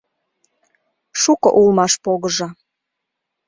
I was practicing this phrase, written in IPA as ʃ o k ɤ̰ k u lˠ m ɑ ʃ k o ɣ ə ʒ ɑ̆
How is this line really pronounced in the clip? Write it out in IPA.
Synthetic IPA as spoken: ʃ u k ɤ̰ ʔ u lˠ m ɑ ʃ p o ɣ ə ʒ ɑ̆